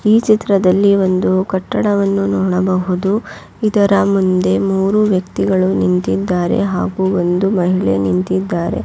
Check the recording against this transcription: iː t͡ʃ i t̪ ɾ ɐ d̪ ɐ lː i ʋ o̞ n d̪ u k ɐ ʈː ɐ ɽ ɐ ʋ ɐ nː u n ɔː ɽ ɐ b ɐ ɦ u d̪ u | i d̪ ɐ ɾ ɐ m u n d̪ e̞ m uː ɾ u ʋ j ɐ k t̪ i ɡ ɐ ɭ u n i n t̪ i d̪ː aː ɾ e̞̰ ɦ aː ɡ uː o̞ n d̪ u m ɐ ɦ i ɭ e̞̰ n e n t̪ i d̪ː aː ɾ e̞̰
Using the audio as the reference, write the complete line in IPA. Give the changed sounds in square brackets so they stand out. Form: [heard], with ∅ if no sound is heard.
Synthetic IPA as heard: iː t͡ʃ i t̪ ɾ ɐ d̪ ɐ lː i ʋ o̞ n d̪ u k ɐ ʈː ɐ ɽ ɐ ʋ ɐ nː u n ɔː ɽ ɐ b ɐ ɦ u d̪ u | i d̪ ɐ ɾ ɐ m u n d̪ e̞ m uː ɾ u ʋ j ɐ k t̪ i ɡ ɐ ɭ u n i n t̪ i d̪ː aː ɾ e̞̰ ɦ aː ɡ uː o̞ n d̪ u m ɐ ɦ i ɭ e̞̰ n [i] n t̪ i d̪ː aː ɾ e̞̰